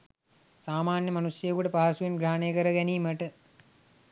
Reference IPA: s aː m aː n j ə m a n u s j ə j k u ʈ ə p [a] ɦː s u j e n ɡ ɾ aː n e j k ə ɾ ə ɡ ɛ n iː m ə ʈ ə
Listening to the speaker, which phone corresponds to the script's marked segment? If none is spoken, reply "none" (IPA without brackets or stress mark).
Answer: a